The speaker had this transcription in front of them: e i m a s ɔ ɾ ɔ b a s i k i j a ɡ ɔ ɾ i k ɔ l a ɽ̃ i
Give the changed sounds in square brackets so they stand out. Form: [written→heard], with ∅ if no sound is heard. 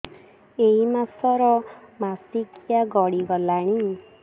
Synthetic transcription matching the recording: e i m a s ɔ ɾ ɔ [b→m] a s i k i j a ɡ ɔ [ɾ→ɽ] i [k→ɡ] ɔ l a ɽ̃ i